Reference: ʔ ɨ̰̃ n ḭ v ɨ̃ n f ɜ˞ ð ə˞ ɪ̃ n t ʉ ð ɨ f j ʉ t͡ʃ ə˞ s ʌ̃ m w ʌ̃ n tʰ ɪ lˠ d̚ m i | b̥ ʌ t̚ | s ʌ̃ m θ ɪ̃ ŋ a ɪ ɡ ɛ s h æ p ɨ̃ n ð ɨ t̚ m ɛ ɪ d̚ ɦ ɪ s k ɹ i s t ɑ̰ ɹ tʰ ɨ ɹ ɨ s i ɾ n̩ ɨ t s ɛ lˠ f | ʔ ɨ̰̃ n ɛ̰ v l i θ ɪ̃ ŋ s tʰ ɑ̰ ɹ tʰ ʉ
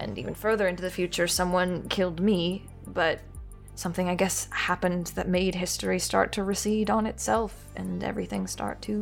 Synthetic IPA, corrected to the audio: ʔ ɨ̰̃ n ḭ v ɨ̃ n f ɜ˞ ð ə˞ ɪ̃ n t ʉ ð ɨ f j ʉ t͡ʃ ə˞ s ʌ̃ m w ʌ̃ n kʰ ɪ lˠ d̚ m i | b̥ ʌ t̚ | s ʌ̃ m θ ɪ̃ ŋ a ɪ ɡ ɛ s h æ p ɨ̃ n ð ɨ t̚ m e ɪ d̚ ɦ ɪ s t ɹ i s t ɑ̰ ɹ tʰ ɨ ɹ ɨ s i ɾ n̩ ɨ t s ɛ lˠ f | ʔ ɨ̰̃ n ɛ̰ v ɹ i θ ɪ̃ ŋ s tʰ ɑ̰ ɹ tʰ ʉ